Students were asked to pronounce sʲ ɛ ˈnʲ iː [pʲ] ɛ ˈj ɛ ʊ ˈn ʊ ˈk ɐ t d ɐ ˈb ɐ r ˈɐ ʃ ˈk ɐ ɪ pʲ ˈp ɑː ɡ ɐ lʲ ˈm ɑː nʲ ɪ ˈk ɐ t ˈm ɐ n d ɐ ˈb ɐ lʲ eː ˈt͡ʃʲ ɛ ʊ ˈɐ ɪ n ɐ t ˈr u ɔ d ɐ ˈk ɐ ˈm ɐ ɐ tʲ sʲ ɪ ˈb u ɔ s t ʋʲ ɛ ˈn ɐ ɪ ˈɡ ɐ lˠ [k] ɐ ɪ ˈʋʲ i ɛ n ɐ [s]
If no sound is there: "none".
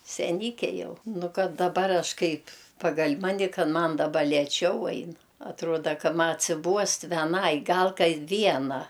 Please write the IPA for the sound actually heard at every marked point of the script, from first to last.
kʲ, k, none

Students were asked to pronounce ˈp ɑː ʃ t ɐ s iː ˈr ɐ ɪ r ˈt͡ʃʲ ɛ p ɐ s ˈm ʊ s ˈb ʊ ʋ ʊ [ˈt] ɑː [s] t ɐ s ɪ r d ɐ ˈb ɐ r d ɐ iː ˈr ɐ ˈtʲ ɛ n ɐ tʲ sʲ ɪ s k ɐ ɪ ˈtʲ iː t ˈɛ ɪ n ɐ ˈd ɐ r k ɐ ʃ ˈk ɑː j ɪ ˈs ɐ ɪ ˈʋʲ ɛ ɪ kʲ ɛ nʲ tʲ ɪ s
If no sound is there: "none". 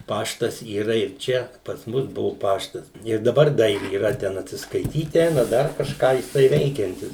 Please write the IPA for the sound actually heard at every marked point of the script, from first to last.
p, ʃ

